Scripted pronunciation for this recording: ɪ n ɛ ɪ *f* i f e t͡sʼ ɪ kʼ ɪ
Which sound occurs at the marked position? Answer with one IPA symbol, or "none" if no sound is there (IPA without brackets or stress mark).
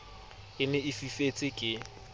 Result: f